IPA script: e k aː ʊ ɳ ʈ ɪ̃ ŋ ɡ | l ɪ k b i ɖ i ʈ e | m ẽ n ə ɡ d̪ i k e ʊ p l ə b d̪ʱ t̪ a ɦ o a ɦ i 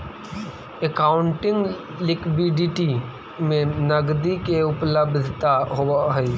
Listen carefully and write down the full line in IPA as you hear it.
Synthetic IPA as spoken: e k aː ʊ ɳ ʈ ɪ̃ ŋ ɡ | l ɪ k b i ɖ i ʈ i | m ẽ n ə ɡ d̪ i k e ʊ p l ə b d̪ʱ t̪ a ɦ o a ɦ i